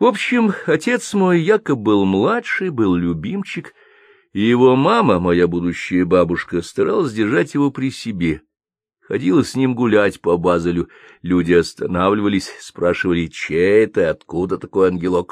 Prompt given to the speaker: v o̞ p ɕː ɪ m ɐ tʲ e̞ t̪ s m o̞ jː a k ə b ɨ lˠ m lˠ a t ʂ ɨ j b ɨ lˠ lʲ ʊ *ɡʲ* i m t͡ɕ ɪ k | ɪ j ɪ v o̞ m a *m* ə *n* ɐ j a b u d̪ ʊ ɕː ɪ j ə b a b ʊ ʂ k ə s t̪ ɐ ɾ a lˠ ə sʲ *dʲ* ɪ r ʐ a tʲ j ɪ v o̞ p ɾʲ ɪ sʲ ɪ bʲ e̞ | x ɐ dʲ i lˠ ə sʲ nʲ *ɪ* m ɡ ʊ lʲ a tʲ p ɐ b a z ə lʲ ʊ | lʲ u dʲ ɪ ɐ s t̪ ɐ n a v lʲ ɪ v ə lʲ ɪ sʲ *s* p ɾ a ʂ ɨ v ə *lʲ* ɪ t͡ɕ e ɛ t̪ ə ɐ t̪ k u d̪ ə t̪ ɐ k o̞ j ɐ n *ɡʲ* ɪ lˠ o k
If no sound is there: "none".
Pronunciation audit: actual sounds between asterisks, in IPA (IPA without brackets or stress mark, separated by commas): bʲ, m, m, dʲ, i, s, lʲ, ɡʲ